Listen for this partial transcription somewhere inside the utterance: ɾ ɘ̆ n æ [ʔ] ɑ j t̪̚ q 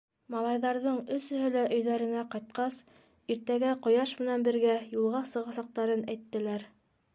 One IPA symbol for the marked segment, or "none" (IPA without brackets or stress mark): q